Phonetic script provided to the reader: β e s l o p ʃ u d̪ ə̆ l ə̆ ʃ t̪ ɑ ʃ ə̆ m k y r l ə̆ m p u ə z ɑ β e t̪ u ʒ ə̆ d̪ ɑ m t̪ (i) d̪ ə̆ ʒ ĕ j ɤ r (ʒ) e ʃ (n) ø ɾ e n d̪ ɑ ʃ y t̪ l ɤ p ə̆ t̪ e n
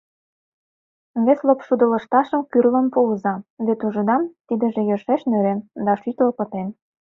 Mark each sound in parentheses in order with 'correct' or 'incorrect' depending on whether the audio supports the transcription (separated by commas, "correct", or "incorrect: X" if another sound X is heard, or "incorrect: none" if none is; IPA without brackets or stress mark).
correct, incorrect: ʃ, correct